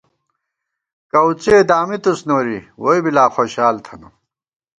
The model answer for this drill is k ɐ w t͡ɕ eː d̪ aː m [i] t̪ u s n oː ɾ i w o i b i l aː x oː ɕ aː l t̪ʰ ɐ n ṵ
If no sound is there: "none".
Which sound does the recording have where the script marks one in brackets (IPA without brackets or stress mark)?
i